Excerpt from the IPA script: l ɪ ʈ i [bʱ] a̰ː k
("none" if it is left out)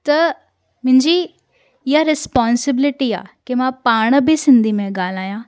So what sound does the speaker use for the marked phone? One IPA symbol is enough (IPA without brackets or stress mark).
none